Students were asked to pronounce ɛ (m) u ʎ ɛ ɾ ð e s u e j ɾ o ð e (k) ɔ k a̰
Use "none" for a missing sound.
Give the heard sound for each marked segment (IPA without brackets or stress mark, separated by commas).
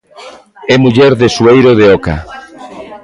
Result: m, none